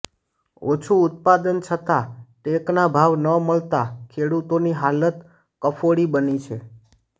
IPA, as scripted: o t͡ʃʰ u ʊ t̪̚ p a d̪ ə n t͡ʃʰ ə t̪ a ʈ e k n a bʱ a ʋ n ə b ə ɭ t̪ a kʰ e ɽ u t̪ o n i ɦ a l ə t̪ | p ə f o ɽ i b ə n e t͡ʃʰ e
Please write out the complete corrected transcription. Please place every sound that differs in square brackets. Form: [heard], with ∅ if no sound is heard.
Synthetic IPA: o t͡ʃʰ u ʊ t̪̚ p a d̪ ə n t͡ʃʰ ə t̪ a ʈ e k n a bʱ a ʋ n ə [m] ə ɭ t̪ a kʰ e ɽ u t̪ o n i ɦ a l ə t̪ | [k] ə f o ɽ i b ə n [i] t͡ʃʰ e